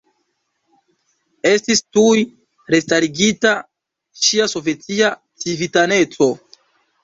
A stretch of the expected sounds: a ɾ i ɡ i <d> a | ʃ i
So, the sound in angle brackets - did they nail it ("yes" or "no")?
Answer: no